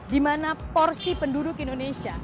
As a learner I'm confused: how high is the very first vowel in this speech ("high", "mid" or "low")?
high